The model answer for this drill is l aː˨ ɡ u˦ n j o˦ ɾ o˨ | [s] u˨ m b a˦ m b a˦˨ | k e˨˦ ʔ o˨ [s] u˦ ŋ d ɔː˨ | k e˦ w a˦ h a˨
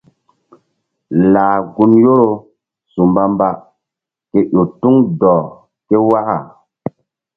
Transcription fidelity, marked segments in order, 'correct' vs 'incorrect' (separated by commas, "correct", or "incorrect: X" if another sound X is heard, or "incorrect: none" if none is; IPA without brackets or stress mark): correct, incorrect: t